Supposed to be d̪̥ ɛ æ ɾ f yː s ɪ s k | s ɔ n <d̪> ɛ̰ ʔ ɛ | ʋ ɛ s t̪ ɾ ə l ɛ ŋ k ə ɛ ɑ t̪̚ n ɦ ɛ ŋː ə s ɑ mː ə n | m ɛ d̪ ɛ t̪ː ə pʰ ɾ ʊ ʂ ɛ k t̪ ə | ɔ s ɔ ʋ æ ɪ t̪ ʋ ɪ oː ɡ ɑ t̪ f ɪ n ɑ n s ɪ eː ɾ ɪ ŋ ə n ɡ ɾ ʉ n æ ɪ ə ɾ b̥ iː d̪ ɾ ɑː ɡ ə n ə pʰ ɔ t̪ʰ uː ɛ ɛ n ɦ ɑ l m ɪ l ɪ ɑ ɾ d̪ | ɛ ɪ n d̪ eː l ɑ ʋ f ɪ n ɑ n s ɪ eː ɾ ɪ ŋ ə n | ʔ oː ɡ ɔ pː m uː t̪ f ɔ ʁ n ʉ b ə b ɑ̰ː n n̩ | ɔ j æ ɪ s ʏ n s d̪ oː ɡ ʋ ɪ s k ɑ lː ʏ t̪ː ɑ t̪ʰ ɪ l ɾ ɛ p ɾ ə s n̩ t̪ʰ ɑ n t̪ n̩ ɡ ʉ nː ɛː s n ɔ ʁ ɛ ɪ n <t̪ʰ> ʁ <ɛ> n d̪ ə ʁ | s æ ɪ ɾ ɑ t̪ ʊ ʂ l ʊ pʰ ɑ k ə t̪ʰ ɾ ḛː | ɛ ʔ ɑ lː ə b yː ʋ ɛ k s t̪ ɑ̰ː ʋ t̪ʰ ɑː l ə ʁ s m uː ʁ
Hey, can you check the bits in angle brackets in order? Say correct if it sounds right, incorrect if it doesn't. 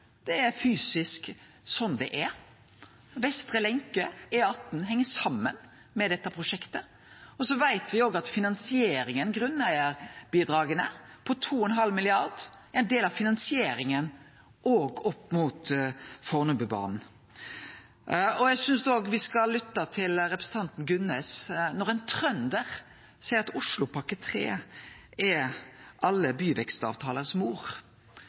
correct, correct, incorrect: œ

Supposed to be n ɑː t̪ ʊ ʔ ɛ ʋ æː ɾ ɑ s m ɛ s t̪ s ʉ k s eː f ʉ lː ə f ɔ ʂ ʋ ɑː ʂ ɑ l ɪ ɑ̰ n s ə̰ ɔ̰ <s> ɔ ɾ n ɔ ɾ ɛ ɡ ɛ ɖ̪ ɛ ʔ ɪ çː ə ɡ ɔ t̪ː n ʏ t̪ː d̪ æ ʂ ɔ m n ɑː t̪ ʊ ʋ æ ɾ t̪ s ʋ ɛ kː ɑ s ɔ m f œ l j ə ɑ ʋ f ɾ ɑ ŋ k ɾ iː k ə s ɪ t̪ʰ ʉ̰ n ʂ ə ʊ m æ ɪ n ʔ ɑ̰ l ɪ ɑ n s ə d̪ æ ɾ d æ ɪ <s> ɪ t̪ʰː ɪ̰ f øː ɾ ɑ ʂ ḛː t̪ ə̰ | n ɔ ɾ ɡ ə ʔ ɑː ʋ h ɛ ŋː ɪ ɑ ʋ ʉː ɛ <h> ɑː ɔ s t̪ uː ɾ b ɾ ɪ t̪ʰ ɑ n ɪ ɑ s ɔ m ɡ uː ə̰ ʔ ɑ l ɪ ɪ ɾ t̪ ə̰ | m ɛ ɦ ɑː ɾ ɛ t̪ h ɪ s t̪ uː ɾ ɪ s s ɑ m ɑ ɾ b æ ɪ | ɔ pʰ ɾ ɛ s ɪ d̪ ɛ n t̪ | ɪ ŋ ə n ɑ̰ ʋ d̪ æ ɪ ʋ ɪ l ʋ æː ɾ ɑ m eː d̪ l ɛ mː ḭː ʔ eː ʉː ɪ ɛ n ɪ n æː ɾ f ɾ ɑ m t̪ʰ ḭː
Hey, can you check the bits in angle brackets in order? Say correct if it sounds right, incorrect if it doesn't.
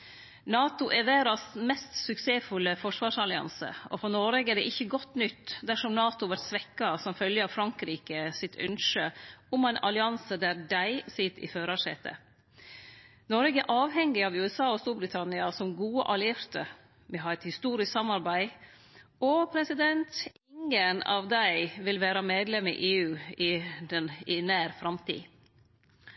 incorrect: f, correct, incorrect: s

